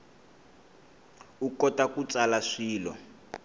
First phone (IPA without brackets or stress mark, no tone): u